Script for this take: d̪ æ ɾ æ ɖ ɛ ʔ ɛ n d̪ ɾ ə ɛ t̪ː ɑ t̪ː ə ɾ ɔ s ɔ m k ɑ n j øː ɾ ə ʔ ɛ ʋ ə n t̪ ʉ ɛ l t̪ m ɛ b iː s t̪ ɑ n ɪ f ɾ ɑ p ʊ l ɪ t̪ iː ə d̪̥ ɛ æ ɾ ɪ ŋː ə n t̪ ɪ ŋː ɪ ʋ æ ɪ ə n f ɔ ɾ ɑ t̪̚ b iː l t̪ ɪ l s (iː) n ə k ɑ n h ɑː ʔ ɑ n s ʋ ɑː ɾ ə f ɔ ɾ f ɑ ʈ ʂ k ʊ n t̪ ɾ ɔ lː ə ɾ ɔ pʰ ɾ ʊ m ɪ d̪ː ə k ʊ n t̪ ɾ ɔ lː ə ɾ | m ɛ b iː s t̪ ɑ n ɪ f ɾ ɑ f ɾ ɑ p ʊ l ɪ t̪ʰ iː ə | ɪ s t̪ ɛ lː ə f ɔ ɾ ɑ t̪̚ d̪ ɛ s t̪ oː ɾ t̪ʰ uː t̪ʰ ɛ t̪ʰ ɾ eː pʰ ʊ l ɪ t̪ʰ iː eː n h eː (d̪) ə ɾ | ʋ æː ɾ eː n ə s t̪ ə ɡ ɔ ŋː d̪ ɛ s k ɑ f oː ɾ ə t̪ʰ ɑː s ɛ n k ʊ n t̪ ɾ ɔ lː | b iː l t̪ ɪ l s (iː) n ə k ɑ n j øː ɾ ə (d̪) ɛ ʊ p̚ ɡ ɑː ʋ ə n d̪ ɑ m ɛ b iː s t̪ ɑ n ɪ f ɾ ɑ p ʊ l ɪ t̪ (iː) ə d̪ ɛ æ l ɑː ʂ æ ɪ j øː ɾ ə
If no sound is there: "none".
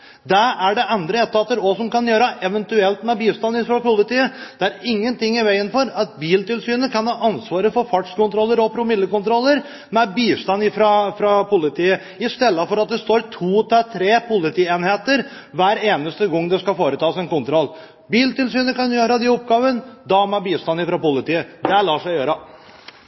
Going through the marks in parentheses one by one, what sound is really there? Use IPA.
yː, t̪, yː, d̪, iː

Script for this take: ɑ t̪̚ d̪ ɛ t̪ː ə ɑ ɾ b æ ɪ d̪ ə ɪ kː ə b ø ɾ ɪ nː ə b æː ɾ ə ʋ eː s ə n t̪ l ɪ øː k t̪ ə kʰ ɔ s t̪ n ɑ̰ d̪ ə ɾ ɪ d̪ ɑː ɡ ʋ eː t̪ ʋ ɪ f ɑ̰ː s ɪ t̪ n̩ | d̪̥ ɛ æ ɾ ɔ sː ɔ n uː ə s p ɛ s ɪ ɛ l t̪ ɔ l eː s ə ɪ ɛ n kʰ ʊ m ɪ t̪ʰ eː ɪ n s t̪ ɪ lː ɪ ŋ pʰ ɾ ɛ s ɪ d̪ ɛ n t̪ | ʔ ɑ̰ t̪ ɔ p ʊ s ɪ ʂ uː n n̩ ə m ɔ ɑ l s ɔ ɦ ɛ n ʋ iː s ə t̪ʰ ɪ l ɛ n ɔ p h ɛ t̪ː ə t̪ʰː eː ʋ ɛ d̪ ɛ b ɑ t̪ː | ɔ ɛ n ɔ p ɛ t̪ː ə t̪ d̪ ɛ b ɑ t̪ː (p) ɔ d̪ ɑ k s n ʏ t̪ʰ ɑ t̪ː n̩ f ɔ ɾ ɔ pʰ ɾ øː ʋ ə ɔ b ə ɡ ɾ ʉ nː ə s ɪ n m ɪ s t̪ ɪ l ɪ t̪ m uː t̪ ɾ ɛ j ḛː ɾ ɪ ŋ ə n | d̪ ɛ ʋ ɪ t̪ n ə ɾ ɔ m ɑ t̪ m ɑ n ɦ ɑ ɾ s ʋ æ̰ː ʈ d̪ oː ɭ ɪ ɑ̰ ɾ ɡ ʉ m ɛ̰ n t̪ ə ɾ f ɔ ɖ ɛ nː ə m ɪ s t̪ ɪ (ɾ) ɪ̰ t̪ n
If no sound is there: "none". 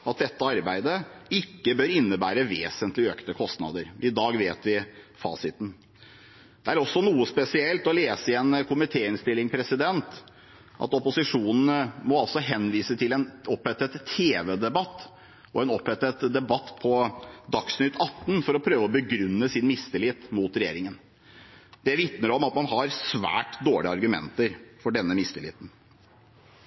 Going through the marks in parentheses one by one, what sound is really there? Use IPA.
pʰ, l

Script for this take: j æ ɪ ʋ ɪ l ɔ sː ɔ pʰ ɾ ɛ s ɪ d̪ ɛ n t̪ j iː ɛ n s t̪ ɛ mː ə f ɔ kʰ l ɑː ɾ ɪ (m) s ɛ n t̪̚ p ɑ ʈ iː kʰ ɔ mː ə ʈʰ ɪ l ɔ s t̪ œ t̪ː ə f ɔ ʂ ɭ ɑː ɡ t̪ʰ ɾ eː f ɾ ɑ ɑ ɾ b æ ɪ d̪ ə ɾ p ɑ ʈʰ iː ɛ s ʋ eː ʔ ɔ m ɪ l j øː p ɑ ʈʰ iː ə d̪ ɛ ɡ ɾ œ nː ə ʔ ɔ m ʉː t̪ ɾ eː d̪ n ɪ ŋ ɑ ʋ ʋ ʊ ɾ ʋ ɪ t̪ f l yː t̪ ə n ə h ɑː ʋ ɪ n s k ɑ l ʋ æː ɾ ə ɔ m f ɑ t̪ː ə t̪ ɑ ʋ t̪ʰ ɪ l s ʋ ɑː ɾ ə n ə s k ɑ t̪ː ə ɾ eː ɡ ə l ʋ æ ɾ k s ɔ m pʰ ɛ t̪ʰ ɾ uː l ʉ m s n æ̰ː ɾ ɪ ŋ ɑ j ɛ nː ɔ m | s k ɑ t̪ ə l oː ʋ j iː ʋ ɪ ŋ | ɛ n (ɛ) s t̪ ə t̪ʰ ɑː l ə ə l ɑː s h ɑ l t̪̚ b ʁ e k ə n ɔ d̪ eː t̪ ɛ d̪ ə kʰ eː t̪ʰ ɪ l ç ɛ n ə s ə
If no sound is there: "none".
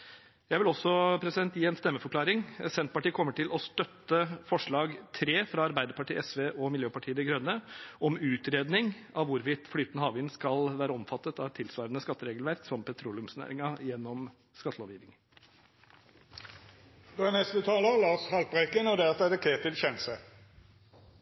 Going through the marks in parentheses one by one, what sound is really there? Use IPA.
ŋ, ɛ

